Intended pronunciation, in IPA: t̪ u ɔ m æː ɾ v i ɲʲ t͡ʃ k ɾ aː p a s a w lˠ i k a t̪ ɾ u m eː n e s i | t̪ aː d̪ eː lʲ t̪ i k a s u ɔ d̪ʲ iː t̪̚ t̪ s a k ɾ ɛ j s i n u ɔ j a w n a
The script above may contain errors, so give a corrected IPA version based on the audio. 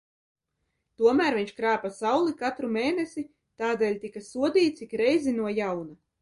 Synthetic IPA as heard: t̪ u ɔ m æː ɾ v i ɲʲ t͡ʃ k ɾ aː p a s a w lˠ i k a t̪ ɾ u m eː n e s i | t̪ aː d̪ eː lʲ t̪ i k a s u ɔ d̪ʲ iː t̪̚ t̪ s i k ɾ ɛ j z i n u ɔ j a w n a